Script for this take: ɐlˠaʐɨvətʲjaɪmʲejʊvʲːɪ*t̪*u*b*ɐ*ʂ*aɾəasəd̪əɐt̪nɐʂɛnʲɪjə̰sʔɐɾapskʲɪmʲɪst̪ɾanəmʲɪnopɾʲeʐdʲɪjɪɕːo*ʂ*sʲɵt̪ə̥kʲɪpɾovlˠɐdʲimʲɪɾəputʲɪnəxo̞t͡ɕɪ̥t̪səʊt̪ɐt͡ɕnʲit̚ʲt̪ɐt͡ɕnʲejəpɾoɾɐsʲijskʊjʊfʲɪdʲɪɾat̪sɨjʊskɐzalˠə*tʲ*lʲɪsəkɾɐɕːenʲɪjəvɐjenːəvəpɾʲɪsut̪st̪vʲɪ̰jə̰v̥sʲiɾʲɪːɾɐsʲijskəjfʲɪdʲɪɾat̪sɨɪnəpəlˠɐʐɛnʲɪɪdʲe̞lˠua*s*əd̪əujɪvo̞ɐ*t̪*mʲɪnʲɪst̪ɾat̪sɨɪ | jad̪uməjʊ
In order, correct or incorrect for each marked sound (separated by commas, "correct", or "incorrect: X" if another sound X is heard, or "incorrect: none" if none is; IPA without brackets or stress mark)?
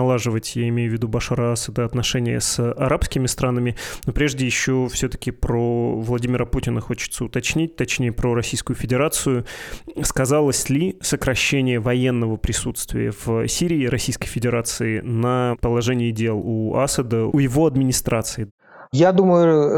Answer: incorrect: d̪, correct, correct, incorrect: f, incorrect: sʲ, correct, incorrect: d̪